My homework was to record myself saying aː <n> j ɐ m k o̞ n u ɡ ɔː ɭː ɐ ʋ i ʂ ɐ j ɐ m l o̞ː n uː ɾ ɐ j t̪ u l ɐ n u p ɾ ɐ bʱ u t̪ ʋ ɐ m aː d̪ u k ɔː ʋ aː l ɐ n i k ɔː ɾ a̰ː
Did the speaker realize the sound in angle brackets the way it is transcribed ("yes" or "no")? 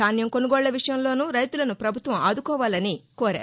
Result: yes